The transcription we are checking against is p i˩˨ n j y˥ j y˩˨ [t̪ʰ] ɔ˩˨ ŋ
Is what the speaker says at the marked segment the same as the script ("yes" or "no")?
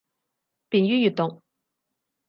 no